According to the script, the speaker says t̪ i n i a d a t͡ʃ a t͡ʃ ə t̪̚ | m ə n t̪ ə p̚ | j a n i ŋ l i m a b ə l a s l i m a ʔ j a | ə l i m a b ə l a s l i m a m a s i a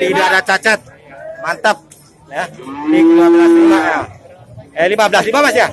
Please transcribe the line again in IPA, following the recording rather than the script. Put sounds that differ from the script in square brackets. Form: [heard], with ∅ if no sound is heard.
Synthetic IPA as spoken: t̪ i [d] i a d a t͡ʃ a t͡ʃ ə t̪̚ | m [a] n t̪ ə p̚ | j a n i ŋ l i m a b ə l a s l i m a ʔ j a | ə l i m a b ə l a s l i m a m a s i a